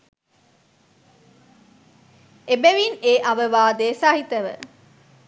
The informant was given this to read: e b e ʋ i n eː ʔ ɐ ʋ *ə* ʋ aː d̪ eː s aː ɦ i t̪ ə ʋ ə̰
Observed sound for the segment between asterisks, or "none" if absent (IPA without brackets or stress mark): ə